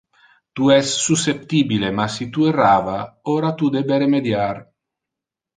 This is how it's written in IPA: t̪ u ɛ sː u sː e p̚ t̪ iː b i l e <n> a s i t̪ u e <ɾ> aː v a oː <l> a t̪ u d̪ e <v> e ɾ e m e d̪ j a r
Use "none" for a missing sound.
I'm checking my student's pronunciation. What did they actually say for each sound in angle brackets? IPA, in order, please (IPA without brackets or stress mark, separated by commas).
m, r, ɾ, b